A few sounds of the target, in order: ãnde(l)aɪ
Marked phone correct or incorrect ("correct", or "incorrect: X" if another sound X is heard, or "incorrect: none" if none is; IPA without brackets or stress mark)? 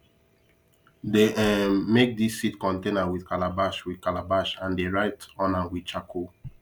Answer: incorrect: ɹ